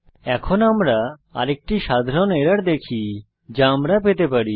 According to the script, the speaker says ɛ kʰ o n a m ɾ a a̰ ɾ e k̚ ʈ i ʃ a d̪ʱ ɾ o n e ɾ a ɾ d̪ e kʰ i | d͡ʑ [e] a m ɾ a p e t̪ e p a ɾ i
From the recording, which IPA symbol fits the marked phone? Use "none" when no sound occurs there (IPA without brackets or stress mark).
a